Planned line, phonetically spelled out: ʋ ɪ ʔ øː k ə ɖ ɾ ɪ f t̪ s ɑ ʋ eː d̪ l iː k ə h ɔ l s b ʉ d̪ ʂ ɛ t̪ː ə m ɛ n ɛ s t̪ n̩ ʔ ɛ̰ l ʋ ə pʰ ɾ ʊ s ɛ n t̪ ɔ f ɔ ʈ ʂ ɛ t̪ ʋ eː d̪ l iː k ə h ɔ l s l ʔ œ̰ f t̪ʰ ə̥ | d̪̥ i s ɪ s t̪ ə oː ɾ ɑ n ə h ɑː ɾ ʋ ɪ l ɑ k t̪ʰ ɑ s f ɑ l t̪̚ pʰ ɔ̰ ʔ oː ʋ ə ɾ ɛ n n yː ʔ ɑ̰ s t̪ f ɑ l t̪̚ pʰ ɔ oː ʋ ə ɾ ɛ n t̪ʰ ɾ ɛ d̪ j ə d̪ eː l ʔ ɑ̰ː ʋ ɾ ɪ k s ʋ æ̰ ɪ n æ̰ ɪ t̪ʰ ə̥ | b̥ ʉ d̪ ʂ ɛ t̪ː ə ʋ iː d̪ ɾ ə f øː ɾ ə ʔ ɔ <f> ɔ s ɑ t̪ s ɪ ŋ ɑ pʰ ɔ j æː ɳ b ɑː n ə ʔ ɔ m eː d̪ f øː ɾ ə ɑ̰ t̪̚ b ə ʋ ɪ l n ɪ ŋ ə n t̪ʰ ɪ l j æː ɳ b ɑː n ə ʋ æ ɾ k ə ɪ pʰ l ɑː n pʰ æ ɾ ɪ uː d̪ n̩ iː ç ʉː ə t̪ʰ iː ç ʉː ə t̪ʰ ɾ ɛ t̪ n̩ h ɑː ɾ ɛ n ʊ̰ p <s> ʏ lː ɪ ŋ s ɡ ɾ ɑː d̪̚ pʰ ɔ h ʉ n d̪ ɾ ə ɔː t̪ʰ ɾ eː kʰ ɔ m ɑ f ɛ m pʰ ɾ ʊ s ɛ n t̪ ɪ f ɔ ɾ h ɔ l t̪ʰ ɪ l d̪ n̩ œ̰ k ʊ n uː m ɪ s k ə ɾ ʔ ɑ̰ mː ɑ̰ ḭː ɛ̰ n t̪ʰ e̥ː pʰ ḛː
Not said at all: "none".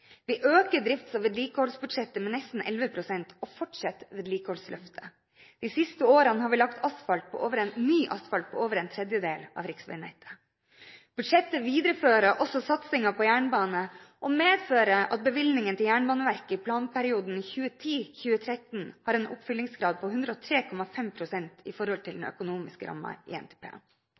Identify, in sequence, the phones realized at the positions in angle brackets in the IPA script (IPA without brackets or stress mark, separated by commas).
s, f